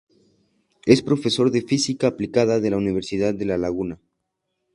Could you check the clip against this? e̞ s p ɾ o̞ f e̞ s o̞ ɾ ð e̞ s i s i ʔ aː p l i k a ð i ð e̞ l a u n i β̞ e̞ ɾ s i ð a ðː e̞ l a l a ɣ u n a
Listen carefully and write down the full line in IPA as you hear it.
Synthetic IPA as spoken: e̞ s p ɾ o̞ f e̞ s o̞ ɾ ð e̞ f i s i k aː p l i k a ð a ð e̞ l a u n i β̞ e̞ ɾ s i ð a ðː e̞ l a l a ɣ u n a